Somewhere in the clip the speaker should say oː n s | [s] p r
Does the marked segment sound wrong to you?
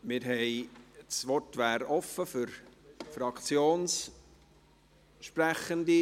yes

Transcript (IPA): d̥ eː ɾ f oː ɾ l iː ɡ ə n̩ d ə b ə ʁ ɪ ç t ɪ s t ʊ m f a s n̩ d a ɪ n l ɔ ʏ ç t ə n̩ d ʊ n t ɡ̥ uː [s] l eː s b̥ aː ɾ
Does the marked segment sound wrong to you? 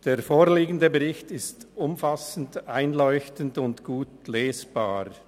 yes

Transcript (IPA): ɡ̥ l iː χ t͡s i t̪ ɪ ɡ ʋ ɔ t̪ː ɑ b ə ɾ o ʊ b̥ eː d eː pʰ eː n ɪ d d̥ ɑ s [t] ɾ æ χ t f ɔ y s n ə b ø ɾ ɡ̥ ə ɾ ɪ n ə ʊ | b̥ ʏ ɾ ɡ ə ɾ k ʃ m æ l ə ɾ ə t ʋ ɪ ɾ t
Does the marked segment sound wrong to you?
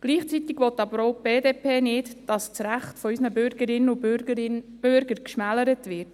yes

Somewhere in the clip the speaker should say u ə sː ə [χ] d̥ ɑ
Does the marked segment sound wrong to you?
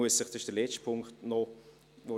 no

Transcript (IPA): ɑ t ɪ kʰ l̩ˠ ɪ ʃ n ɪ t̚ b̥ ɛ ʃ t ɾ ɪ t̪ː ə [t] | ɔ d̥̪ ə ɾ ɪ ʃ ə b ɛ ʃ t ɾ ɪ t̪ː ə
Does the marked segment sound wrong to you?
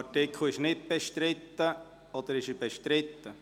yes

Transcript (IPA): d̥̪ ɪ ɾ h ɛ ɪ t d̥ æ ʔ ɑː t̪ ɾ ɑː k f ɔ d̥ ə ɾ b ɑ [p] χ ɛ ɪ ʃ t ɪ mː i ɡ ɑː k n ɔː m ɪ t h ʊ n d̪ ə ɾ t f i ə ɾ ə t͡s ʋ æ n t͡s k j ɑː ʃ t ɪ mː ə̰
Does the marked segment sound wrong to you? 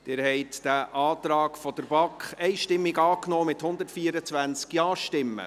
yes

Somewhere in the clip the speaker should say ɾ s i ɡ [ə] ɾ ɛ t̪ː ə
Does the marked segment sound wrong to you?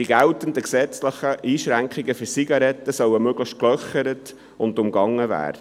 yes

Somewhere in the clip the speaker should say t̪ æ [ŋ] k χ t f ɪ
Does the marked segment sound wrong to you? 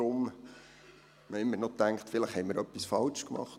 no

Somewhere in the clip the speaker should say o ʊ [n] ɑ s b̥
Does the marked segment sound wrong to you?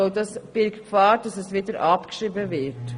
yes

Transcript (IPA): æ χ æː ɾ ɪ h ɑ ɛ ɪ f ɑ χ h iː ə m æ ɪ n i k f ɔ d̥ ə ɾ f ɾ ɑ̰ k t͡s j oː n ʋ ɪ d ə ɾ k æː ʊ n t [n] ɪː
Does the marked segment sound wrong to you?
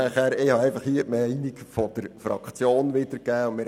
yes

